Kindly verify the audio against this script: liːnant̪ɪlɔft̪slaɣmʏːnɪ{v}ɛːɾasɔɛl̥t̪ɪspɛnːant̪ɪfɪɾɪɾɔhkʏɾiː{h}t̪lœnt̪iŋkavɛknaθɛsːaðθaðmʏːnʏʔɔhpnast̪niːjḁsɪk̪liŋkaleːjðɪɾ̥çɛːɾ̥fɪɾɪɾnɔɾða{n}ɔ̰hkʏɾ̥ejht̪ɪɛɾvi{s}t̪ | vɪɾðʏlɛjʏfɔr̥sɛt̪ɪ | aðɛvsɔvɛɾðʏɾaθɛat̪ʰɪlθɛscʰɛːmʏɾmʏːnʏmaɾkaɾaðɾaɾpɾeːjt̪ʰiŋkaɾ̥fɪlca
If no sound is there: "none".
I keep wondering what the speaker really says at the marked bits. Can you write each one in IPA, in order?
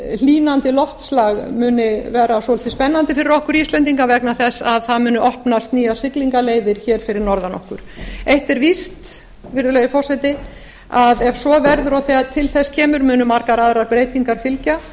v, s, n, s

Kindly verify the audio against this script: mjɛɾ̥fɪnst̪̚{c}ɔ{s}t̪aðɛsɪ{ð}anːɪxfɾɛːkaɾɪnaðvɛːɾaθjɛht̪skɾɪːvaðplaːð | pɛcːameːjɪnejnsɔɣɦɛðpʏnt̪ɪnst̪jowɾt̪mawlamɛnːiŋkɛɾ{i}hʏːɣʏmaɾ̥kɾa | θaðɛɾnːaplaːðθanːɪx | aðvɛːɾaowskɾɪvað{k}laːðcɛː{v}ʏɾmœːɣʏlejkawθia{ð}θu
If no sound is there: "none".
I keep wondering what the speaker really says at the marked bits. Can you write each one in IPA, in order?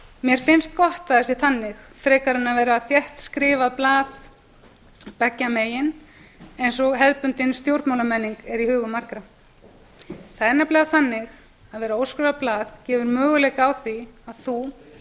k, h, θ, i, p, v, ð

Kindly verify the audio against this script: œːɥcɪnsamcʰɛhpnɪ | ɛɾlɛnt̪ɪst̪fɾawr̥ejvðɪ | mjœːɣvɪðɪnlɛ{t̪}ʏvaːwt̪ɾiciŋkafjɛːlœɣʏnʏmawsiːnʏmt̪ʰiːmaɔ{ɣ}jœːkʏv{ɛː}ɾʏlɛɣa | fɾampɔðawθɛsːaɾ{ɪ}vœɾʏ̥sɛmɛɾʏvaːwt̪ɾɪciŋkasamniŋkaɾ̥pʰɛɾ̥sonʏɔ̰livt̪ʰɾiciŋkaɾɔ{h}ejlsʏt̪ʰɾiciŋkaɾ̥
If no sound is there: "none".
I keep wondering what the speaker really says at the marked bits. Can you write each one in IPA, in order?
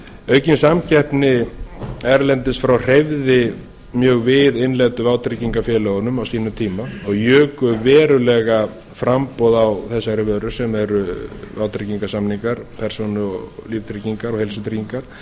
t̪, ɣ, ɛː, ɪ, h

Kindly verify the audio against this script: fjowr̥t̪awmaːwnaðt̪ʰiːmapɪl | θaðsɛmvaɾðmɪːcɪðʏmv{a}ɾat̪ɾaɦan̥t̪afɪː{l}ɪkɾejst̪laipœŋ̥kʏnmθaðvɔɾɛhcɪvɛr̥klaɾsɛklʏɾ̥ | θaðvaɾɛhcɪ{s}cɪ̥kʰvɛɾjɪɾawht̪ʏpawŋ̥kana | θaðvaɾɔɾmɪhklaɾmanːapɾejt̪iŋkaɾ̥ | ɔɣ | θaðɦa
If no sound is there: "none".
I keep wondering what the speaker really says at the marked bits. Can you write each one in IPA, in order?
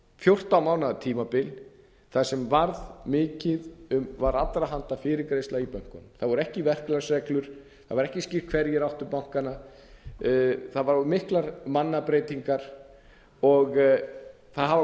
a, ɾ, s

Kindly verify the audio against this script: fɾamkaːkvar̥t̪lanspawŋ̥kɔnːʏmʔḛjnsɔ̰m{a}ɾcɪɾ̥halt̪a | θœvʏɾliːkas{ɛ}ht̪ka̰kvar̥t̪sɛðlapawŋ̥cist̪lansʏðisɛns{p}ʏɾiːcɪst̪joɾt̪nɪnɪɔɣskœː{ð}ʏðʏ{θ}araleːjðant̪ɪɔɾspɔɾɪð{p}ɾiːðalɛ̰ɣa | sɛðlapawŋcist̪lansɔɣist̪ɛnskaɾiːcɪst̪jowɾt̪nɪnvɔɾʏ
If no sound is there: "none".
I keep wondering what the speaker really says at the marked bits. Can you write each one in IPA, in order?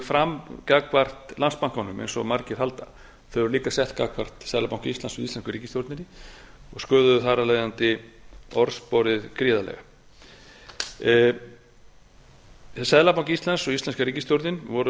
a, ɛ, k, ð, θ, k

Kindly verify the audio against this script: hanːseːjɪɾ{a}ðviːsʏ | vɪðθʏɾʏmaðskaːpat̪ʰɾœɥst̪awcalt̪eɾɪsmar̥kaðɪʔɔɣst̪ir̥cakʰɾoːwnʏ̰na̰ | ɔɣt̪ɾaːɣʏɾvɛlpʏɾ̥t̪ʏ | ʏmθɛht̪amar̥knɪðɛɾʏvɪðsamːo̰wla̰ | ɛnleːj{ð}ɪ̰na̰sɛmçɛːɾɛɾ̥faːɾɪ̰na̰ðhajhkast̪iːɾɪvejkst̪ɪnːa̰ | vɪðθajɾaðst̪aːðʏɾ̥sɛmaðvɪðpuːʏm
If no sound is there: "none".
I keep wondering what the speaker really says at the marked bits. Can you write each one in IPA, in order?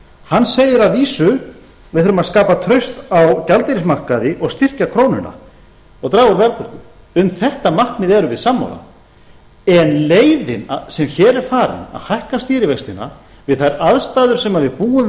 a, ð

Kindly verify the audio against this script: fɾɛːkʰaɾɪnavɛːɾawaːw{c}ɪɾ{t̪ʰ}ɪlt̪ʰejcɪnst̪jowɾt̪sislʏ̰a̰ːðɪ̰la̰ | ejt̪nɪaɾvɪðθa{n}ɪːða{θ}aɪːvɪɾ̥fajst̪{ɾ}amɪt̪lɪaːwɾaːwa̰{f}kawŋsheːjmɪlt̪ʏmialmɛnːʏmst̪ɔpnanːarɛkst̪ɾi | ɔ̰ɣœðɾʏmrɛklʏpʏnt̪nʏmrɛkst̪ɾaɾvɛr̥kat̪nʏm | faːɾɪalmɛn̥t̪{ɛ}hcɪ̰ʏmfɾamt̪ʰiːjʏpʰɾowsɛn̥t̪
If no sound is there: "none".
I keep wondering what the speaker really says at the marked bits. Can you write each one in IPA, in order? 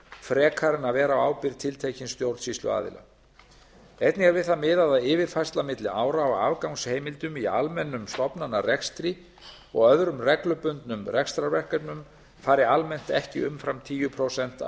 p, t̪ʰ, m, ð, l, v, ɛ

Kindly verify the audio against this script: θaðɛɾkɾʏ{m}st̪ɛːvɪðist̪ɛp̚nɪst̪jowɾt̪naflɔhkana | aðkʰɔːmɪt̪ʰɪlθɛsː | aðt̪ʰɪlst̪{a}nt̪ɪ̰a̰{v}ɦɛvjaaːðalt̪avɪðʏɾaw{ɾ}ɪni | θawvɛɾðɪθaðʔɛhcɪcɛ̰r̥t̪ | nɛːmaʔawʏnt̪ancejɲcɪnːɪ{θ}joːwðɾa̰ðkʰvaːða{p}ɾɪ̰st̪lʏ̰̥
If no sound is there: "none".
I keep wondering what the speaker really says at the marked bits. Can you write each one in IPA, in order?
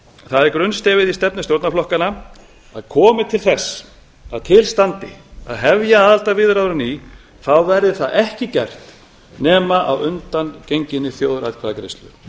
n, a, ð, ɾ, θ, k

